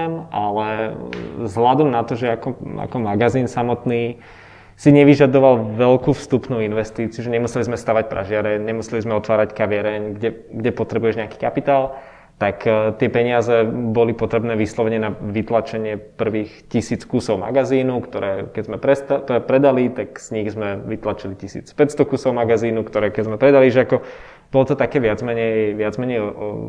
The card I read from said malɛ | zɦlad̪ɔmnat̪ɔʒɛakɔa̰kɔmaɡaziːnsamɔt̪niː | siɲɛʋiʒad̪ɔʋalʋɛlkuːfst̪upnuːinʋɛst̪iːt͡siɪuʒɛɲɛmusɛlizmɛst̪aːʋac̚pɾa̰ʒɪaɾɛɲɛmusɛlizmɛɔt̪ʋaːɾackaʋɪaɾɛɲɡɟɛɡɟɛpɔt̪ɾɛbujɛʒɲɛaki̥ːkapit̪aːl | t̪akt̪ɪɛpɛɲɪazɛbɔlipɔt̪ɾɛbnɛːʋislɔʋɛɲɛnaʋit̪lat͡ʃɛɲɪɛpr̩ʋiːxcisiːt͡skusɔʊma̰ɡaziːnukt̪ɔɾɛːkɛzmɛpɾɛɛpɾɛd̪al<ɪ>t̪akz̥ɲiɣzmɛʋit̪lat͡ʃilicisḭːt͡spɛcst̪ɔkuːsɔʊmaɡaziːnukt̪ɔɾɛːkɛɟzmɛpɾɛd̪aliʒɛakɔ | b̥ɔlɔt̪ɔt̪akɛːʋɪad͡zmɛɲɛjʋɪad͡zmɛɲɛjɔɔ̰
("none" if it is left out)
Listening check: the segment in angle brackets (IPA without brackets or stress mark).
i